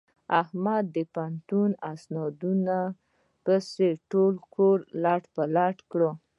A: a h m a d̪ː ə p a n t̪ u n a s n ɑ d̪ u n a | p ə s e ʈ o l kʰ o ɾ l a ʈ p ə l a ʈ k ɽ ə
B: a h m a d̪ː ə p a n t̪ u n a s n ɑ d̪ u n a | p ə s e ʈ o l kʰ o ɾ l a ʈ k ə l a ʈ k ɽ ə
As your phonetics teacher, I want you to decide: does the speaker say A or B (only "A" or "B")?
A